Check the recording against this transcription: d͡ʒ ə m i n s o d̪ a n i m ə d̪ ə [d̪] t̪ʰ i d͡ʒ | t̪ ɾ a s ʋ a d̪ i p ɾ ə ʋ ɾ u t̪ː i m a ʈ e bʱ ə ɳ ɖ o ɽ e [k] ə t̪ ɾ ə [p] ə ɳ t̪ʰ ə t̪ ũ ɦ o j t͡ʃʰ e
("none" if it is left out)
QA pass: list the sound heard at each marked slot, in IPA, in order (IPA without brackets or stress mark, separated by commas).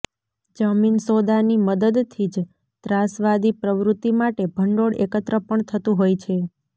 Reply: d̪, k, p